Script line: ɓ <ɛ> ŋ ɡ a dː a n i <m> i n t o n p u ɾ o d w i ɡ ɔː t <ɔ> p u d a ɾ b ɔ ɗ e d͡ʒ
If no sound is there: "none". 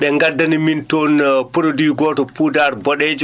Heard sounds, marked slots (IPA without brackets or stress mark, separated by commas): ɛ, m, ɔ